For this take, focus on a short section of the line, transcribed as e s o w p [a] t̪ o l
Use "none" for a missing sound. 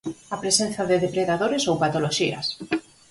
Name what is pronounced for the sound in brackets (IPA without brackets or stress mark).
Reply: a